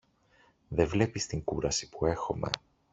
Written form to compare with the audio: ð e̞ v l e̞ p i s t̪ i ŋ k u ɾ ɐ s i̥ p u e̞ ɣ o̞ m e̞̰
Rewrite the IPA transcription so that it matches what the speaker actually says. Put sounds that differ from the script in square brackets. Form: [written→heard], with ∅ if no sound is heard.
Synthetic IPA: ð e̞ v l e̞ p i s t̪ i ŋ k u ɾ ɐ s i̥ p u e̞ [ɣ→x] o̞ m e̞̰